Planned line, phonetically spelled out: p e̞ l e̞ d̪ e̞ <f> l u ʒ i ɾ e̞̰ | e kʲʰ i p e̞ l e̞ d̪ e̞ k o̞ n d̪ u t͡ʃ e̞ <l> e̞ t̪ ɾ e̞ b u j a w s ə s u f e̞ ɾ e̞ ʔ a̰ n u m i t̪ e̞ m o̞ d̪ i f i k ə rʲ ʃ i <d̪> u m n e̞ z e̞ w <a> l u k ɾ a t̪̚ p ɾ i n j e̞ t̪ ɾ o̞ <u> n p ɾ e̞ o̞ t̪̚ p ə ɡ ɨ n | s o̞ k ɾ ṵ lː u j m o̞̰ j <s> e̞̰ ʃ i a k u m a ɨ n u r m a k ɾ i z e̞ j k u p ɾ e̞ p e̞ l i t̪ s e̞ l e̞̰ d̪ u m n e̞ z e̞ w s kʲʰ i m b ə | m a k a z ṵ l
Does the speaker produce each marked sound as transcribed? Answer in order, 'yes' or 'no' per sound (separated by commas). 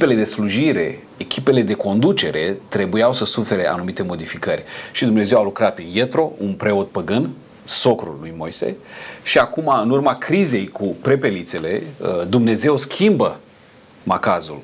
no, no, yes, yes, yes, yes